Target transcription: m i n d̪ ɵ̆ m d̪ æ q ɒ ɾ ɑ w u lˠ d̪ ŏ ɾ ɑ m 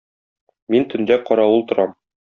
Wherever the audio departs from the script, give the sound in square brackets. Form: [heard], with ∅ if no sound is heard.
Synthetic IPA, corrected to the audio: m i n [t̪] ɵ̆ [n] d̪ æ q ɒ ɾ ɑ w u lˠ [t̪] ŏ ɾ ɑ m